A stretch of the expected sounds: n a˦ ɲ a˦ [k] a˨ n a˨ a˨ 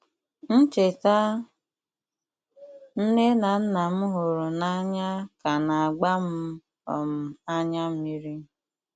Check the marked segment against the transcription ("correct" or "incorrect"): correct